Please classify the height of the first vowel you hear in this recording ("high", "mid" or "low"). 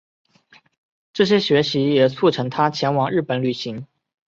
mid